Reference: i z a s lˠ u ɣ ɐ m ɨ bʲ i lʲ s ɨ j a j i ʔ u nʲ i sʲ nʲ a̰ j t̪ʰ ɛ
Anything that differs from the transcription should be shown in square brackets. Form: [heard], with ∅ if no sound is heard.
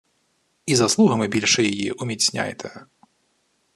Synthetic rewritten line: i z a s lˠ u ɣ ɐ m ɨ bʲ i lʲ [ʂ] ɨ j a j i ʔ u [mʲ] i [t͡sʲ] nʲ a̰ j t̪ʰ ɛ